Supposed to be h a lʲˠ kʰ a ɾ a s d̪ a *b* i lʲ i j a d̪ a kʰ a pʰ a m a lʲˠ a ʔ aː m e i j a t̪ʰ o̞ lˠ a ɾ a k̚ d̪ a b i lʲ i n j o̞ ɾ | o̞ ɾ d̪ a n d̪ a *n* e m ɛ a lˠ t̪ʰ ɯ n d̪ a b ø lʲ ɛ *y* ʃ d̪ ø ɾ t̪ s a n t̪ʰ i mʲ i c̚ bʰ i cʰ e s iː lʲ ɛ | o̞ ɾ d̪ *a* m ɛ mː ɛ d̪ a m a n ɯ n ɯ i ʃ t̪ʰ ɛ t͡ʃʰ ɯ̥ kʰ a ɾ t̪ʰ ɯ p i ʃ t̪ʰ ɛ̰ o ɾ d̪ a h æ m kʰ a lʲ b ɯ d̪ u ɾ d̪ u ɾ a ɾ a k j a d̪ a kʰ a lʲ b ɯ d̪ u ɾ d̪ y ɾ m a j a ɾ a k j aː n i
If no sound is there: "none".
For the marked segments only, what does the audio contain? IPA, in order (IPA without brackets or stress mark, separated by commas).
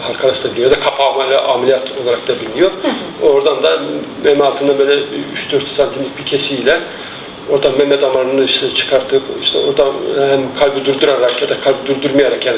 b, m, y, a